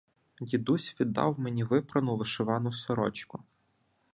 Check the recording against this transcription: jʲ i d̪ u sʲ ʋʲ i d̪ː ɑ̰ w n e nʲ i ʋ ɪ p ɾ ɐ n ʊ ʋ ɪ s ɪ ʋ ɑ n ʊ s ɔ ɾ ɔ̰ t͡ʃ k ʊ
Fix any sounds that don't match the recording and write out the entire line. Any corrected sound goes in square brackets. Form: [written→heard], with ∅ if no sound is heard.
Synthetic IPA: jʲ i d̪ u sʲ ʋʲ i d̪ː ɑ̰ w [n→m] e nʲ i ʋ ɪ p ɾ ɐ n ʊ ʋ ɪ [s→ʃ] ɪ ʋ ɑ n ʊ s ɔ ɾ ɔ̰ t͡ʃ k ʊ